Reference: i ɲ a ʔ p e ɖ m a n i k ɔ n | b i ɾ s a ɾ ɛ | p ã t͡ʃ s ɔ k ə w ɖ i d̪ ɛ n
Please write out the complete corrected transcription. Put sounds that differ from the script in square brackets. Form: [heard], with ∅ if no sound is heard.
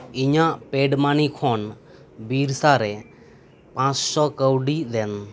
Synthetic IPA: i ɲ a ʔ p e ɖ m a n i [kʰ] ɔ n | b i ɾ s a ɾ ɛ | p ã t͡ʃ s ɔ k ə w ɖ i d̪ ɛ n